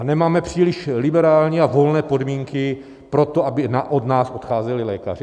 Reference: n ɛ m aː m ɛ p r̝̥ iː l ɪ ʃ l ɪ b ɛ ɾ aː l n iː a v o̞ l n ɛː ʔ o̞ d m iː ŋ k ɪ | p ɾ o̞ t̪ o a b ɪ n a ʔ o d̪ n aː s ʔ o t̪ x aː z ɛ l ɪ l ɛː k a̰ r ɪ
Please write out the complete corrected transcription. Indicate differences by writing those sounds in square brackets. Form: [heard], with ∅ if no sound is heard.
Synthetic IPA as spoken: n ɛ m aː m ɛ p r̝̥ iː l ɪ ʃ l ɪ b ɛ ɾ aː l [ɲ] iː a v o̞ l n ɛː [p] o̞ d m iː ŋ k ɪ | p ɾ o̞ t̪ o a b ɪ n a ʔ o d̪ n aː s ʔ o t̪ x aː z ɛ l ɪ l ɛː k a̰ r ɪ